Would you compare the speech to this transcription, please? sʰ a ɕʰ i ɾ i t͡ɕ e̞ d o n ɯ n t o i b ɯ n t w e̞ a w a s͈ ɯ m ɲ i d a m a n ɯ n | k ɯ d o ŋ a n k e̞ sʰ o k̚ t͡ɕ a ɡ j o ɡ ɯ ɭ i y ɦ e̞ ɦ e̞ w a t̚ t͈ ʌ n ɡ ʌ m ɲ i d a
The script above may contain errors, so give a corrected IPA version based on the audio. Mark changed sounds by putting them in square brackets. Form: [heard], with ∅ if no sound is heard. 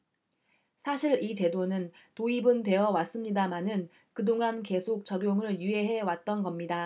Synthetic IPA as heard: sʰ a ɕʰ i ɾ i t͡ɕ e̞ d o n ɯ n t o i b ɯ n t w e̞ [ʌ] w a s͈ ɯ m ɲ i d a m a n ɯ n | k ɯ d o ŋ a n k e̞ sʰ o k̚ t͡ɕ [ʌ] ɡ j o [ŋ] ɯ ɭ [j] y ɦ e̞ ɦ e̞ w a t̚ t͈ ʌ n ɡ ʌ m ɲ i d a